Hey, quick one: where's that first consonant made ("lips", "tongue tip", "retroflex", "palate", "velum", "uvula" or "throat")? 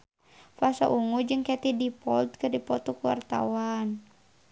lips